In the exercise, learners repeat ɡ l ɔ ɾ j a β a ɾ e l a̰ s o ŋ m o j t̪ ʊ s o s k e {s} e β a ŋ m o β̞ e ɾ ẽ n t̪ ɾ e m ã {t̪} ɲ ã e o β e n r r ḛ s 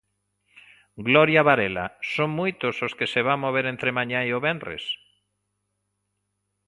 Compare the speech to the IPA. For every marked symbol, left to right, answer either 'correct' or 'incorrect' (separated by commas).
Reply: correct, incorrect